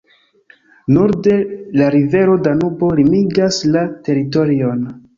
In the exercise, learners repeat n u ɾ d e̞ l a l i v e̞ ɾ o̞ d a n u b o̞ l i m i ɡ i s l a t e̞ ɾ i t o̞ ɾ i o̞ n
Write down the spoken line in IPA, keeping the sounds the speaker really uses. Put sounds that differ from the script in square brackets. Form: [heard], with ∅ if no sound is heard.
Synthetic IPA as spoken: n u ɾ d e̞ l a [ɾ] i v e̞ ɾ o̞ d a n u b o̞ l i m i ɡ [a] s l a t e̞ ɾ i t o̞ ɾ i o̞ n